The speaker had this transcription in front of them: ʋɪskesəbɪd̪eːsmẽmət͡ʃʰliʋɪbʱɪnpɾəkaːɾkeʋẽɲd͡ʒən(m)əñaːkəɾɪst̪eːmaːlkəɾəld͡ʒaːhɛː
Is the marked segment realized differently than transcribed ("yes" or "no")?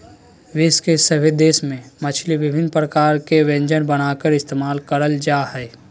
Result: yes